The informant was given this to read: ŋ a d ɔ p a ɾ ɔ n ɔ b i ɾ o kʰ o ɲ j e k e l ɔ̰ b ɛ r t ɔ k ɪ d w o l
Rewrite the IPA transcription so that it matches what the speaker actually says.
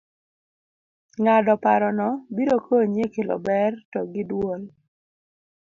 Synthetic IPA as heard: ŋ a d ɔ p a ɾ ɔ n ɔ b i ɾ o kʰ o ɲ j e k e l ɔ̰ b ɛ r t ɔ ɡ ɪ d w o l